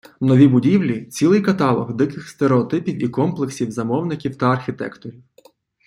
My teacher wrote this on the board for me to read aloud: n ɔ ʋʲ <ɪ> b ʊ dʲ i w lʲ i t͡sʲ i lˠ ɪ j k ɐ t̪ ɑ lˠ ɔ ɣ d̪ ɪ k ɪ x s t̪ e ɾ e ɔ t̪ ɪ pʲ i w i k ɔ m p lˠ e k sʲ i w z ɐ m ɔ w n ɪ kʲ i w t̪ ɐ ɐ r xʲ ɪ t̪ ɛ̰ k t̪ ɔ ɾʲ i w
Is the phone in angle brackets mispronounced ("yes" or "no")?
yes